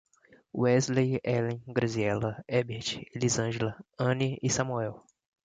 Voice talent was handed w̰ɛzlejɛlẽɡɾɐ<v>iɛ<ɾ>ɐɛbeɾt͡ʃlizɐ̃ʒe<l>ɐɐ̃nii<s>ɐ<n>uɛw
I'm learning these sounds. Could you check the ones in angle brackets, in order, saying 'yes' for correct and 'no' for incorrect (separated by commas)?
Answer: no, no, yes, yes, no